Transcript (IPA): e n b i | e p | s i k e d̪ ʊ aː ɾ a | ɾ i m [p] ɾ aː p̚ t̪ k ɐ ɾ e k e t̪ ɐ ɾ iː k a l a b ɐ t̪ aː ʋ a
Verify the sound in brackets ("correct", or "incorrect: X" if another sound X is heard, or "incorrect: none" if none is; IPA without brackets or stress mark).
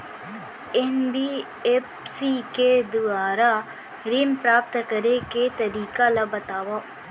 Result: correct